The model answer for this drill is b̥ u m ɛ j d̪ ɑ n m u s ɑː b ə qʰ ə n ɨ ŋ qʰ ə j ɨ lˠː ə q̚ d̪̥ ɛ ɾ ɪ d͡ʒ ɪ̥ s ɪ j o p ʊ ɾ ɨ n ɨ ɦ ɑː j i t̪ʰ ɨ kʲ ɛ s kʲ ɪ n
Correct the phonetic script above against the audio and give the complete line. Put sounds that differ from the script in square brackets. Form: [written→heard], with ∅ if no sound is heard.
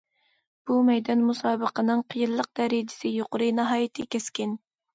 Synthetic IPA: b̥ u m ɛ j d̪ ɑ n m u s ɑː b ə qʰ ə n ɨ ŋ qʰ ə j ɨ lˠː ə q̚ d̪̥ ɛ ɾ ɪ d͡ʒ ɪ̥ s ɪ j o [p→q] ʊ ɾ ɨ n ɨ ɦ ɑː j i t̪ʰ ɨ kʲ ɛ s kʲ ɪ n